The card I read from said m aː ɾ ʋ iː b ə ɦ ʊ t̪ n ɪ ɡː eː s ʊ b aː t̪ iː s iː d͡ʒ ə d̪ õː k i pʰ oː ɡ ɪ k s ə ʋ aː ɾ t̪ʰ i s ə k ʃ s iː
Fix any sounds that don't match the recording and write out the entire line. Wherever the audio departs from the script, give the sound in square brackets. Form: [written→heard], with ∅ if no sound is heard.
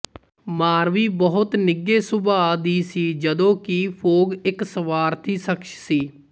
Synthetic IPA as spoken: m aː ɾ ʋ iː b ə ɦ ʊ t̪ n ɪ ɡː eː s ʊ b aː [t̪→d̪] iː s iː d͡ʒ ə d̪ õː k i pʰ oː ɡ ɪ k s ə ʋ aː ɾ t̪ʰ [i→iː] s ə k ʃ s iː